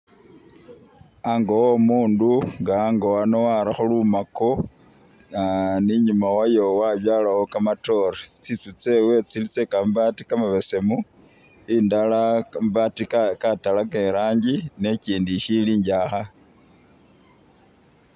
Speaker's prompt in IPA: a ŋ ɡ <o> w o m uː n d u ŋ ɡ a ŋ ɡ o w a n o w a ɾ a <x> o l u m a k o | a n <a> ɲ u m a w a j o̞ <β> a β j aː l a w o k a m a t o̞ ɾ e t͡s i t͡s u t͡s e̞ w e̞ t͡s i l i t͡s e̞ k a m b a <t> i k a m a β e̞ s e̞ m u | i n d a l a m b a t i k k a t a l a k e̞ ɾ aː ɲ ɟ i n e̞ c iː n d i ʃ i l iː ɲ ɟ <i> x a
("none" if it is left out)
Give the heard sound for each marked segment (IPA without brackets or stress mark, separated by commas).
o, x, i, w, t, a